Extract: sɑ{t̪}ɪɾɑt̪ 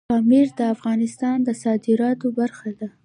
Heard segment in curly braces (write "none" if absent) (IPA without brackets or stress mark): d̪